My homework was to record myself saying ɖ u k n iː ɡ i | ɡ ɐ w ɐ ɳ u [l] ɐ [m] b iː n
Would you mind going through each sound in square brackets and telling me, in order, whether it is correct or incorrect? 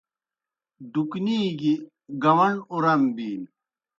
incorrect, correct

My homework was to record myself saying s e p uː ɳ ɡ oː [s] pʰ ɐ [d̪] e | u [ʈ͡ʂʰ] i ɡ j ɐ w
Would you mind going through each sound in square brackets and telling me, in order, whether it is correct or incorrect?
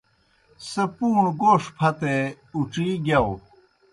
incorrect, incorrect, incorrect

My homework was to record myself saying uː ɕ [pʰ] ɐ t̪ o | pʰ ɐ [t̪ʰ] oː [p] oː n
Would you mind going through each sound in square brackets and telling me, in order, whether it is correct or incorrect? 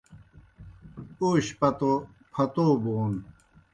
incorrect, incorrect, incorrect

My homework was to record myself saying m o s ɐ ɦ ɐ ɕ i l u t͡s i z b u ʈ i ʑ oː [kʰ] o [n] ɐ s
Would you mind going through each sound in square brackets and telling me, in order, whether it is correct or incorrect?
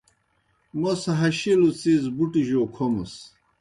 correct, incorrect

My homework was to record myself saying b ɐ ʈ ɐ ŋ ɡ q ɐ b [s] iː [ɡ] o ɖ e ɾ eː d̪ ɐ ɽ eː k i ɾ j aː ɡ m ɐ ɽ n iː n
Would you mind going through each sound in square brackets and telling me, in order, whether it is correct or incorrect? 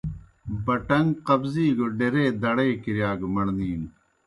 incorrect, correct

